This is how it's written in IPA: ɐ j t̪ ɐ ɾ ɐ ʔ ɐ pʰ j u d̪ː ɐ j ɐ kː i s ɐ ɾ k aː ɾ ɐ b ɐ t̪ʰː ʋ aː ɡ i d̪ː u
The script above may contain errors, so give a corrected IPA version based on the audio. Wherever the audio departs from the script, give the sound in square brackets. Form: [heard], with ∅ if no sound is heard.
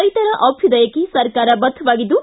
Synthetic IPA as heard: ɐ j t̪ ɐ ɾ ɐ ʔ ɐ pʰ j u [d̪] ɐ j ɐ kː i s ɐ ɾ k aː ɾ ɐ b ɐ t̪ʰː ʋ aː ɡ i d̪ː u